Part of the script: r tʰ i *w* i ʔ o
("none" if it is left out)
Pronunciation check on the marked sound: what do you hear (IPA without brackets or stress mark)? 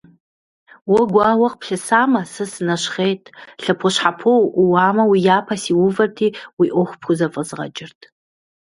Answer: w